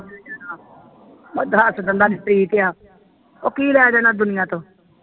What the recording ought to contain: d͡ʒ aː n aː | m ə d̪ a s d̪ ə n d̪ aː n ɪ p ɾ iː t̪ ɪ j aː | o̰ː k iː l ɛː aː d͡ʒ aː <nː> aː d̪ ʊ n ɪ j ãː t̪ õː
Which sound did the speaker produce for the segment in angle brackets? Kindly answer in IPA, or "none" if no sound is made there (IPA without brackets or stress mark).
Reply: n